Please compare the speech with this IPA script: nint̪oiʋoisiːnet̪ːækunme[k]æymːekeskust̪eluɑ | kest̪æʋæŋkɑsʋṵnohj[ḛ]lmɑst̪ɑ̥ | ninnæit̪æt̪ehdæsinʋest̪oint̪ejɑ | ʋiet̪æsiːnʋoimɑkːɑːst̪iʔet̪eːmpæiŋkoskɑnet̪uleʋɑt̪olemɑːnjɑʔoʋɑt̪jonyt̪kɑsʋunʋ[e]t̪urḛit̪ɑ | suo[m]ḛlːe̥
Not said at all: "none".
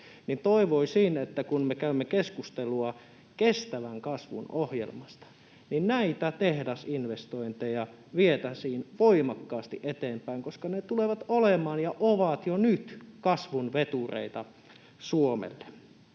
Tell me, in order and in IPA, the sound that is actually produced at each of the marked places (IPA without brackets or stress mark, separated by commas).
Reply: k, ḛ, e, m